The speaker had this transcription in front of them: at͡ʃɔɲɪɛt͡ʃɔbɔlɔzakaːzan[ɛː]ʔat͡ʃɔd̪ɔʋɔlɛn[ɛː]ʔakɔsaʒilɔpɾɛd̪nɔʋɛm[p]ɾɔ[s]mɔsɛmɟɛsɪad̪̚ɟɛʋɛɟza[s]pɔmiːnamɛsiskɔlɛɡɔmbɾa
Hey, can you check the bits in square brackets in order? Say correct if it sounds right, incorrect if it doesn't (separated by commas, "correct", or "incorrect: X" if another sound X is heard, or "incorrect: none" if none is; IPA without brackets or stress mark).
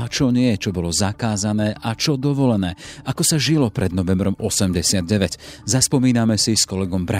correct, correct, incorrect: b, incorrect: none, correct